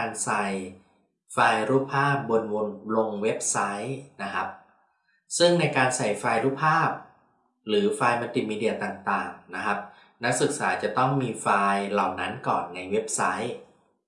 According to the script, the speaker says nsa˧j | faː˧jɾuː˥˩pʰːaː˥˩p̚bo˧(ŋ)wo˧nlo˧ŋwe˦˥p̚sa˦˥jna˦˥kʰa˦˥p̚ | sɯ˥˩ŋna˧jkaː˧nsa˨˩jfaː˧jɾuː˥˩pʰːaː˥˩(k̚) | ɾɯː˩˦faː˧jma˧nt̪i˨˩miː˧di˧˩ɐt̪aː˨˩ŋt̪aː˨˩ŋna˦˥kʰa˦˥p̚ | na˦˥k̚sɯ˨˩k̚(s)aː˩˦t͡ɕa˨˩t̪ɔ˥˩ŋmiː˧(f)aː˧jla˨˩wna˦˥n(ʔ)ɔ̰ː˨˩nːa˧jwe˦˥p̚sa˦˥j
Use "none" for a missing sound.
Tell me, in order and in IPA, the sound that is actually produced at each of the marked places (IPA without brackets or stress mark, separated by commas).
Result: n, p̚, s, f, k